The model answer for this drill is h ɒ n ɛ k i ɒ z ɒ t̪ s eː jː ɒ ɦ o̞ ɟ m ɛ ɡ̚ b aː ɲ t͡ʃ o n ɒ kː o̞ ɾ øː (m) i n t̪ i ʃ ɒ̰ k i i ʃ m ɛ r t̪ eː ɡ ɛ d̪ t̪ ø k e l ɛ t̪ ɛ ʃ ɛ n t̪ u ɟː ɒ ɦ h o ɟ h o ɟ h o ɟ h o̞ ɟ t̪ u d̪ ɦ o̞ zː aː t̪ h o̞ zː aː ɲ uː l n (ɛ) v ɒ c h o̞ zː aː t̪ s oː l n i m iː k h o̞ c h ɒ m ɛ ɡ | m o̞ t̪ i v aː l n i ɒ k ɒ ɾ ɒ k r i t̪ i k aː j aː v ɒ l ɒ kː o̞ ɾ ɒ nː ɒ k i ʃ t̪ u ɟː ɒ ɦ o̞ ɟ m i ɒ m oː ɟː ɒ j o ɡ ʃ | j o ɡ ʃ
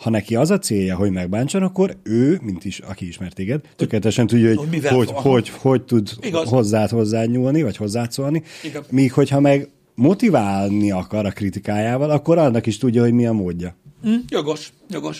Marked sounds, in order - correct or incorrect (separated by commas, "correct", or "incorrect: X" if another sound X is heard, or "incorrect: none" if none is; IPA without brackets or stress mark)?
correct, incorrect: i